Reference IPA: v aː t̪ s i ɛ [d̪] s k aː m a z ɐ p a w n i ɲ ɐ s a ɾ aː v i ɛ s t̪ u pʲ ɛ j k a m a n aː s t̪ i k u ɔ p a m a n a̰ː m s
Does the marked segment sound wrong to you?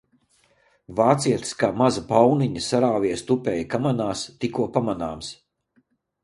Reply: yes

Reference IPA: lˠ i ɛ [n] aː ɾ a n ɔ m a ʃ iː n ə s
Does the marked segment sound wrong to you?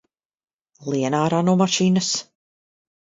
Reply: no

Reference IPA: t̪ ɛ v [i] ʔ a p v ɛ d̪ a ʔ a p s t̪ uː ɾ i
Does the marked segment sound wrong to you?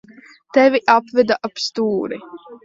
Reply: no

